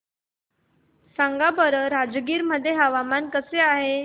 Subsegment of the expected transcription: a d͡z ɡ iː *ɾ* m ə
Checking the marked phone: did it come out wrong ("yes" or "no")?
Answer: no